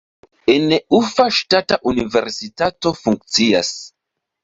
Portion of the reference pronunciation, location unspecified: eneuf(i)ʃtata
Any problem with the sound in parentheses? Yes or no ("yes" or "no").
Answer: yes